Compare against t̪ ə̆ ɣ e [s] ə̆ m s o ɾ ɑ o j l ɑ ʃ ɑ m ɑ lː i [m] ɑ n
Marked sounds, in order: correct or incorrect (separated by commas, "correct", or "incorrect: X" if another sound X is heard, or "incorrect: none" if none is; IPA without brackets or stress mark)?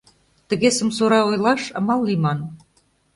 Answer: correct, correct